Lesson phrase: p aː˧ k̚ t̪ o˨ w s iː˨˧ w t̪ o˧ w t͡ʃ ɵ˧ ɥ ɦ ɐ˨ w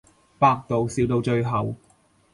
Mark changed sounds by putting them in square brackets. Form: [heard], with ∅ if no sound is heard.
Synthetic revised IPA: p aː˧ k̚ t̪ o˨ w s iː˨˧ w t̪ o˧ w t͡ʃ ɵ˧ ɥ ɦ ɐ˨ w